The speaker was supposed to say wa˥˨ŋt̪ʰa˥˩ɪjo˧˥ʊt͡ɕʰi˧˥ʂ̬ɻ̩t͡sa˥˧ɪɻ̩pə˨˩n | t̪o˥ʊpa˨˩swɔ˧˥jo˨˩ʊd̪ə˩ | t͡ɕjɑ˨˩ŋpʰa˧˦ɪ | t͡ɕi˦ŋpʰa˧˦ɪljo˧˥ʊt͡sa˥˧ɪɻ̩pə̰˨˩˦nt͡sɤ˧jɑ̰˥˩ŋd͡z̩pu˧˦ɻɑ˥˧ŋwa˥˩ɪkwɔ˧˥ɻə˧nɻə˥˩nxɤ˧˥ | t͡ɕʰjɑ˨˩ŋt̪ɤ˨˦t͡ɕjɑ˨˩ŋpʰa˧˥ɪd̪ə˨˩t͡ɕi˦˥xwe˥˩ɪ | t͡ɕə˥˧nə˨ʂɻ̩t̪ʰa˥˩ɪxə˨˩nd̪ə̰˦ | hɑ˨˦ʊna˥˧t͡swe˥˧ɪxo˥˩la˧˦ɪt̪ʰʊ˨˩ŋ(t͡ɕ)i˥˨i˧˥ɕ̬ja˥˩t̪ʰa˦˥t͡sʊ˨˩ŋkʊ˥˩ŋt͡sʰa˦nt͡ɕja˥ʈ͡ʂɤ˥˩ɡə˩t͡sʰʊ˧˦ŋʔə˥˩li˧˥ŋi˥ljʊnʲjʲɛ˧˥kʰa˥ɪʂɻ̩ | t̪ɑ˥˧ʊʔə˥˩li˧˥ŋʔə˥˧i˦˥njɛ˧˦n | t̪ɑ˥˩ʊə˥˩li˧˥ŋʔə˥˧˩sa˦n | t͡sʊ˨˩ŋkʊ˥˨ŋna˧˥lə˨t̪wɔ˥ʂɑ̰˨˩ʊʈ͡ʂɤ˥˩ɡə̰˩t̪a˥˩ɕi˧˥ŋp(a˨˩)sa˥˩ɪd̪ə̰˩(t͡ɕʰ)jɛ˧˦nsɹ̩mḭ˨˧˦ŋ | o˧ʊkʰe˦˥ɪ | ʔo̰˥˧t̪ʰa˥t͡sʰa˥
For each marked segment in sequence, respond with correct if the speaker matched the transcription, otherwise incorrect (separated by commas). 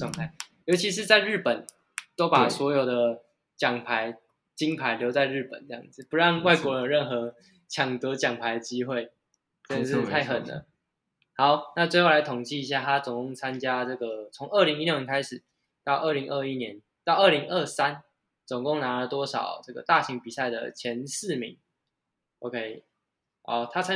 correct, incorrect, correct